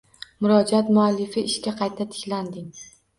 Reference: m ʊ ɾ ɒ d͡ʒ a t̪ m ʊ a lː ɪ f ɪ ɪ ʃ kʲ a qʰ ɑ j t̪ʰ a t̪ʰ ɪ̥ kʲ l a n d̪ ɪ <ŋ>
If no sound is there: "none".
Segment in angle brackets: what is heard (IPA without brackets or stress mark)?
ŋ